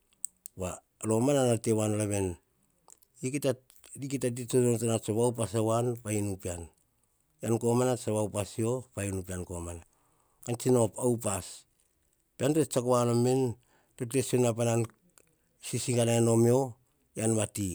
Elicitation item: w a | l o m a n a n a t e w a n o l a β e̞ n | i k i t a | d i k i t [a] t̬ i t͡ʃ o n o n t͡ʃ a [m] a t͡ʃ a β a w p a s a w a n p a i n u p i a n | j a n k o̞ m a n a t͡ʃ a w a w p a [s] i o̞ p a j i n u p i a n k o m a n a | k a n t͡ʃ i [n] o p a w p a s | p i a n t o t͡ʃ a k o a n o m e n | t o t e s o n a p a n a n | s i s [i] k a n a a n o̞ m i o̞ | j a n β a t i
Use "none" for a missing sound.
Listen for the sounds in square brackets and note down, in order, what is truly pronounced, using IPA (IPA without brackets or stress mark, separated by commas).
a, n, s, n, i